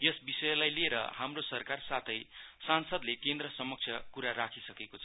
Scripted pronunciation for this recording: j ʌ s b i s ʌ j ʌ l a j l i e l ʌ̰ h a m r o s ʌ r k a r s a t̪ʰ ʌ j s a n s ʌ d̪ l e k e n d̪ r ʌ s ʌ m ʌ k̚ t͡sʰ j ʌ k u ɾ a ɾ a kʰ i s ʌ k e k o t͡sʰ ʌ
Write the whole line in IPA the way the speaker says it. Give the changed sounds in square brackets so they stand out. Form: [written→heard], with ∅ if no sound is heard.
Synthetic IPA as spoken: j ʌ s b i s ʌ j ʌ l a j l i e [l→ɾ] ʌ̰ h a m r o s ʌ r k a r s a t̪ʰ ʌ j s a n s ʌ d̪ l e k e n d̪ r ʌ s ʌ m ʌ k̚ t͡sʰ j ʌ k u ɾ a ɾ a kʰ i s ʌ k e k o t͡sʰ ʌ